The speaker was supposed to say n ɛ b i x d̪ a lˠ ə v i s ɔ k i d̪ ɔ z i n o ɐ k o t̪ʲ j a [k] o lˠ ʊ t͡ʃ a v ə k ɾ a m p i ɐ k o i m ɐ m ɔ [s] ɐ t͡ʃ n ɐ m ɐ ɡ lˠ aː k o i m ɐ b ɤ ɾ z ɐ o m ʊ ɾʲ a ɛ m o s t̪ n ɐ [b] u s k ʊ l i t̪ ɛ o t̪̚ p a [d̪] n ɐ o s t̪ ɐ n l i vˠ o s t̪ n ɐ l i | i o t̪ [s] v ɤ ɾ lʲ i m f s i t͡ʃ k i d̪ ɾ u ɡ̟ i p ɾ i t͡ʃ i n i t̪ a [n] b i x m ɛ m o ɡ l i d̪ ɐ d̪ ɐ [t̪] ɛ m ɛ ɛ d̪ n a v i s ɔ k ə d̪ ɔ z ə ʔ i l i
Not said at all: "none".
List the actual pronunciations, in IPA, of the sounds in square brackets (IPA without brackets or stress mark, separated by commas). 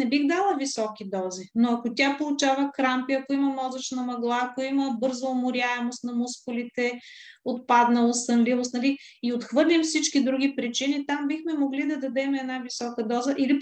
p, z, m, d̪, x, m, d̪